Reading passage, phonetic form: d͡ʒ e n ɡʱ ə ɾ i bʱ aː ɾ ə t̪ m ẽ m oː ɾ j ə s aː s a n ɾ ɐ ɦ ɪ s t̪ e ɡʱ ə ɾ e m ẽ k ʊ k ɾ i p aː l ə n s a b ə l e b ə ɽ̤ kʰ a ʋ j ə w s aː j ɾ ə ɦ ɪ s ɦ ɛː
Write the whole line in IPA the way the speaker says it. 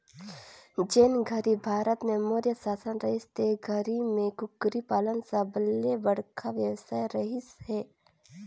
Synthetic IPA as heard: d͡ʒ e n ɡʱ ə ɾ i bʱ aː ɾ ə t̪ m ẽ m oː ɾ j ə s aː s ə n ɾ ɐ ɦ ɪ s t̪ e ɡʱ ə ɾ i m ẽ k ʊ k ɾ i p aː l ə n s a b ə l e b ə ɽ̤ kʰ a ʋ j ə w s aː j ɾ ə ɦ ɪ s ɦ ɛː